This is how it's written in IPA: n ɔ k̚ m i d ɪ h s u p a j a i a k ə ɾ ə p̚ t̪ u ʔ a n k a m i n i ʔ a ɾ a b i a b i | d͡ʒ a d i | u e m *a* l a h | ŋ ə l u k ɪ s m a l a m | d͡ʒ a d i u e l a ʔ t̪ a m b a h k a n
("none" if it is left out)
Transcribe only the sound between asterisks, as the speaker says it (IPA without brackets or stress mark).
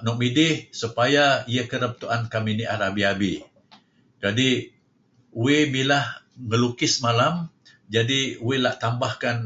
i